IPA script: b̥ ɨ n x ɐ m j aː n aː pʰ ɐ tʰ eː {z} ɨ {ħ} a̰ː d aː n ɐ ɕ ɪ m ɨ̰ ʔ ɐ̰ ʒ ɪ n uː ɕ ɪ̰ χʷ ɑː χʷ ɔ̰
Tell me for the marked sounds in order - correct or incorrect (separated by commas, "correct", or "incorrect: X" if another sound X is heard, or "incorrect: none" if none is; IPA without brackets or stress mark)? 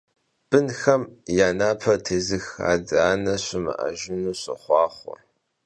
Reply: correct, incorrect: x